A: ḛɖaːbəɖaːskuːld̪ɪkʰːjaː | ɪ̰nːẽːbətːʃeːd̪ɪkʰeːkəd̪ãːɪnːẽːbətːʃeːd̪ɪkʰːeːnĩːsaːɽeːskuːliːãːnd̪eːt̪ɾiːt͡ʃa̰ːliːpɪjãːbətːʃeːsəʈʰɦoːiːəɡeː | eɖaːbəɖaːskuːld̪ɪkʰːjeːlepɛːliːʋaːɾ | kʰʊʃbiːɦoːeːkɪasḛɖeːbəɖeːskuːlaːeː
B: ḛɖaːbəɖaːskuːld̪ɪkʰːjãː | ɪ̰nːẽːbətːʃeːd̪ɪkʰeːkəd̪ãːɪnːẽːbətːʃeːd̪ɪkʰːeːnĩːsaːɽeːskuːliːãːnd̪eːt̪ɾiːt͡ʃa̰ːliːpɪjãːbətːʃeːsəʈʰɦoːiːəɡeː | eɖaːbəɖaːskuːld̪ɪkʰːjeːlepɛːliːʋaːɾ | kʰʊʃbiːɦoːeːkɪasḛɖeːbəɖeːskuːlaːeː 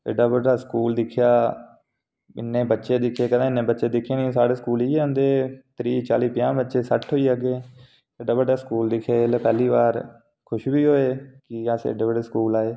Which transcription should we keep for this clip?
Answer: A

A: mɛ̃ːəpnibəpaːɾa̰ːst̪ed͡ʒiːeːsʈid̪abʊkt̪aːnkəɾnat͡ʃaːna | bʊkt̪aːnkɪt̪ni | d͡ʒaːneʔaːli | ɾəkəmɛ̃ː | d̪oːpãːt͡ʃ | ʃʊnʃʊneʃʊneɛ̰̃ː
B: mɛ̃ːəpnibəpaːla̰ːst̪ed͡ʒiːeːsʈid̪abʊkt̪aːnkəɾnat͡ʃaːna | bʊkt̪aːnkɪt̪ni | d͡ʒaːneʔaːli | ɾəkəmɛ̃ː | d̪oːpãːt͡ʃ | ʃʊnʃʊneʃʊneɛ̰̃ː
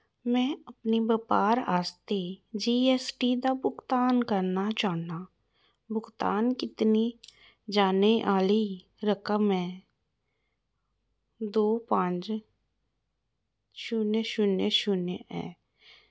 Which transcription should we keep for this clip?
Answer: A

